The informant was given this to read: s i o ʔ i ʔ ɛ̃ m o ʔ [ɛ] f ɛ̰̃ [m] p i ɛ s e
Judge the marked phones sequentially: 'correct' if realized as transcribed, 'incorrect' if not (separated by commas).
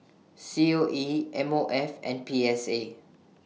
correct, incorrect